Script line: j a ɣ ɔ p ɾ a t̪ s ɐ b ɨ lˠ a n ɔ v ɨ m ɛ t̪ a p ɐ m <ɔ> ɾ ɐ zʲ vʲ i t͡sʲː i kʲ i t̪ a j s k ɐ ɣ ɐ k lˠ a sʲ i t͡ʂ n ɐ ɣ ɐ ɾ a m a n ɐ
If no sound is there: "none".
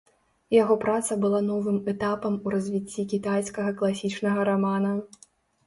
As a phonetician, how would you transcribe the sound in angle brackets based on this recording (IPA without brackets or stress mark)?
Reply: u